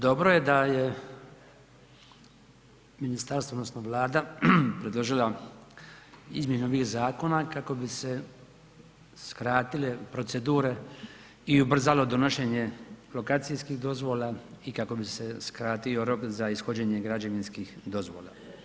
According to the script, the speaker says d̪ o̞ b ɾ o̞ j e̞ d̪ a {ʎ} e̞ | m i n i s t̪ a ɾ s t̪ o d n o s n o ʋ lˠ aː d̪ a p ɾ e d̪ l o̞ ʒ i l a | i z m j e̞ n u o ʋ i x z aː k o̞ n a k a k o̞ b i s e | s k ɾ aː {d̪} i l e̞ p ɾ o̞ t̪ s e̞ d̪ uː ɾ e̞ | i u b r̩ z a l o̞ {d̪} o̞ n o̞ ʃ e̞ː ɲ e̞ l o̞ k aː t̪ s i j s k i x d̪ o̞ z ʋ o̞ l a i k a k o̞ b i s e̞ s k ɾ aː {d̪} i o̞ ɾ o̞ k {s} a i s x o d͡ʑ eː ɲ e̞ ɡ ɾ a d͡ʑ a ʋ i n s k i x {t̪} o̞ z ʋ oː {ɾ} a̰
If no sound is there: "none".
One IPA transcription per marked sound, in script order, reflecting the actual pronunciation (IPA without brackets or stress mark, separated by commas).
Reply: j, t̪, d̪, t̪, z, d̪, l